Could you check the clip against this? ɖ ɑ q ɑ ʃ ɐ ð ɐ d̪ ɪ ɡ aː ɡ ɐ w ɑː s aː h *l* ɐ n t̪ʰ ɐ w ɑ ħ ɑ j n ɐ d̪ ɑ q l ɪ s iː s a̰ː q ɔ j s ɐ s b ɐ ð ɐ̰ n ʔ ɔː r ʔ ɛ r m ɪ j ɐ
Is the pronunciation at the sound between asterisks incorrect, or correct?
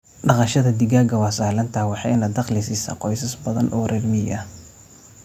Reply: correct